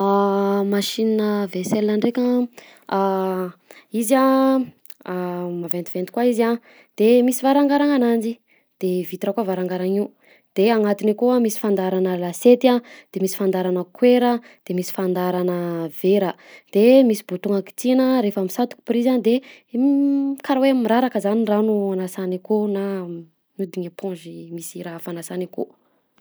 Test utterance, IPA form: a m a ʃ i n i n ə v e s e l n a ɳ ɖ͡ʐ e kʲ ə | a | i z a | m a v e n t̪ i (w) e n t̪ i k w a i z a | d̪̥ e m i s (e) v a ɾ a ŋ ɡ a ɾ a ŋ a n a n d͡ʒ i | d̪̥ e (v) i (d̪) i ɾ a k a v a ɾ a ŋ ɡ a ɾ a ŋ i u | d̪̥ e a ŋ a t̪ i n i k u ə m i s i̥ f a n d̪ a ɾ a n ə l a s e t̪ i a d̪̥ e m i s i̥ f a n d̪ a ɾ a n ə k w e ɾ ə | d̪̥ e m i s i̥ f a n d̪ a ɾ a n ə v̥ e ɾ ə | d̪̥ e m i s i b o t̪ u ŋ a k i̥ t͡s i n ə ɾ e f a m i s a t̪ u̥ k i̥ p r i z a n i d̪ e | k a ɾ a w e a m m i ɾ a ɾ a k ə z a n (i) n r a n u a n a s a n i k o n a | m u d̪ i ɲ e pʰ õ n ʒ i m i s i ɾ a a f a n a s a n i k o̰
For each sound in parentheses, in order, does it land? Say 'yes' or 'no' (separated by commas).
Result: no, no, yes, no, yes